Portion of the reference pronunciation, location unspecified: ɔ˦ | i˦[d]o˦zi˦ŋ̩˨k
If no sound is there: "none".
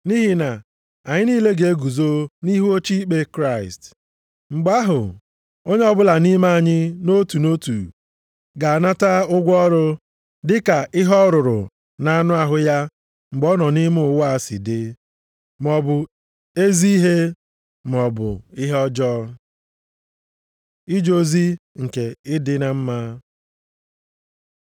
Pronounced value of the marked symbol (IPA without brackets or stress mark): d͡ʒ